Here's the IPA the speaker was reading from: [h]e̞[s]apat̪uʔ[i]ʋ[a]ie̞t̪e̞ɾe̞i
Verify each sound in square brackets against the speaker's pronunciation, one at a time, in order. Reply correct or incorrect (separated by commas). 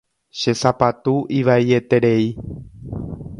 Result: incorrect, correct, correct, correct